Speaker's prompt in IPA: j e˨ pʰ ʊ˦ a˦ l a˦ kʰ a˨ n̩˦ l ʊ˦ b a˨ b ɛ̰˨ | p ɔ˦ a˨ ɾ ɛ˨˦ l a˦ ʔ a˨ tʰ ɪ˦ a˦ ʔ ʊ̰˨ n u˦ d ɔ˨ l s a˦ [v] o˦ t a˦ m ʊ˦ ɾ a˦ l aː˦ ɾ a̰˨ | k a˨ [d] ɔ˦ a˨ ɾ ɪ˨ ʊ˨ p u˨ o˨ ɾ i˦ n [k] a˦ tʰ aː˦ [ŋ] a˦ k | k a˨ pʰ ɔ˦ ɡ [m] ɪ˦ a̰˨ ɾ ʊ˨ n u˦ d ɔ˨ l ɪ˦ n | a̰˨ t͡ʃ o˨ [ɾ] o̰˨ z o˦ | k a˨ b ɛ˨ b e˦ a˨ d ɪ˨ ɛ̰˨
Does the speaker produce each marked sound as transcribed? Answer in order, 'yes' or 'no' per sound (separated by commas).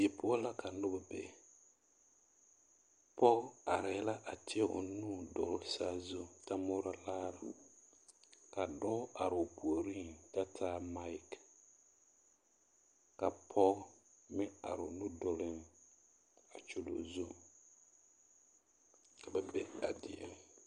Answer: no, yes, no, no, yes, no